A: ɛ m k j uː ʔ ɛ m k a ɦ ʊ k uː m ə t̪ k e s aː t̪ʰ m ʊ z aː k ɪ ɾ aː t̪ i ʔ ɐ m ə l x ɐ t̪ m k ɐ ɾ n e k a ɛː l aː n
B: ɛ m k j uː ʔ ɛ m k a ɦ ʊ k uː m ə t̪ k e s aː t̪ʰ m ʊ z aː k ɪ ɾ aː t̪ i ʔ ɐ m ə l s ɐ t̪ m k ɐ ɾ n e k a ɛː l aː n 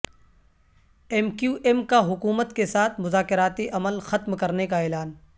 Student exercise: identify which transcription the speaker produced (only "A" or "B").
A